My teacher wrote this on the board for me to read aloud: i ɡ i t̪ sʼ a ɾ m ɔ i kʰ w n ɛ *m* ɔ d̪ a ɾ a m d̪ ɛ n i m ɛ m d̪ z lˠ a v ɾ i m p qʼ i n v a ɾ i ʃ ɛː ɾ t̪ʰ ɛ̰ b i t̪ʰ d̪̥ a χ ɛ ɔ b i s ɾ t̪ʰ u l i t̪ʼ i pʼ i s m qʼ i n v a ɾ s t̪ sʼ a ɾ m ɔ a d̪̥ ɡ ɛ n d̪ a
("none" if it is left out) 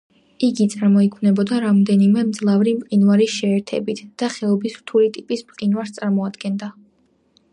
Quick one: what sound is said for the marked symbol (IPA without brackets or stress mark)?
b